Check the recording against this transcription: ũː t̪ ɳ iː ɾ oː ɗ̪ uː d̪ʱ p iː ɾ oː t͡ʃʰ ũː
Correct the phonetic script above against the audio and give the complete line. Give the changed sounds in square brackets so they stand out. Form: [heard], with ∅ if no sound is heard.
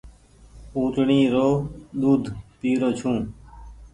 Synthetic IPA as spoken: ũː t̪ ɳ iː ɾ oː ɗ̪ uː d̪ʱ p iː ɾ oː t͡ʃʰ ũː